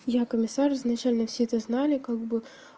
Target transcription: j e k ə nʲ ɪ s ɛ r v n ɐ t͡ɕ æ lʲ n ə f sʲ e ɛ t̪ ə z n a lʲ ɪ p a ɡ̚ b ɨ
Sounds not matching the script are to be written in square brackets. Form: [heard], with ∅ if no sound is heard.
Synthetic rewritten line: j [a] k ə [mʲ] ɪ s [a] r [z] n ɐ t͡ɕ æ lʲ n ə f sʲ e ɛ t̪ ə z n a lʲ ɪ [k] a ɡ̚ b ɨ